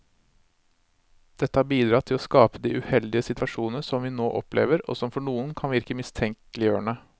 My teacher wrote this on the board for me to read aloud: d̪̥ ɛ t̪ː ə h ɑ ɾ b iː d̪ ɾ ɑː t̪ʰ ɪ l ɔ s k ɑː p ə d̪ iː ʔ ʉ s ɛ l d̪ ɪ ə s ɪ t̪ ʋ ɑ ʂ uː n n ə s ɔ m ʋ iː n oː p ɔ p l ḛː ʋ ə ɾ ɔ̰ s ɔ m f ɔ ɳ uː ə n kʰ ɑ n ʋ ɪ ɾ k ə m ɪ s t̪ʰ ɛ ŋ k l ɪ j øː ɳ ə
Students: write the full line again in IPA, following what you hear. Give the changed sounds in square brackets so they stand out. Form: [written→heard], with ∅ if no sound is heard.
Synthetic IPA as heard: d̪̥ ɛ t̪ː ə h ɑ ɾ b iː d̪ ɾ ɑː t̪ʰ ɪ l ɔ s k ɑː p ə d̪ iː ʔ ʉ [s→h] ɛ l d̪ ɪ ə s ɪ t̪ ʋ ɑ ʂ uː n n ə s ɔ m ʋ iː n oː [p→ʔ] ɔ p l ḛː ʋ ə ɾ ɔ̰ s ɔ m f ɔ ɳ uː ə n kʰ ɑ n ʋ ɪ ɾ k ə m ɪ s t̪ʰ ɛ ŋ k l ɪ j øː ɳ ə